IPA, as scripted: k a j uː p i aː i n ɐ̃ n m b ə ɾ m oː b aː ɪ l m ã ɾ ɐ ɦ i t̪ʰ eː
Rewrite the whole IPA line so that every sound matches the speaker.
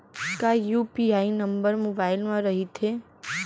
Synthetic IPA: k a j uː p i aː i n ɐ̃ m b ə ɾ m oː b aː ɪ l m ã ɾ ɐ ɦ i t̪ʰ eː